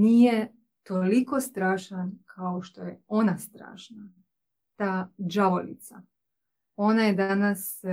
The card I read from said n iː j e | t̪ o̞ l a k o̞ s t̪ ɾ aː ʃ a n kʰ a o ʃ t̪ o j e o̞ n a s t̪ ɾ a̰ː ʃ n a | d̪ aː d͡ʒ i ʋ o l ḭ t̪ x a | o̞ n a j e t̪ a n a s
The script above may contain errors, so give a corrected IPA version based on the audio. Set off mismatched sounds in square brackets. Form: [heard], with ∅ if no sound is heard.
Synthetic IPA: n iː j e | t̪ o̞ l [i] k o̞ s t̪ ɾ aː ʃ a n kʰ a o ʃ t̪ o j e o̞ n a s t̪ ɾ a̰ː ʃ n a | [t̪] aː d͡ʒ [a] ʋ o l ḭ t̪ [s] a | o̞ n a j e [d̪] a n a s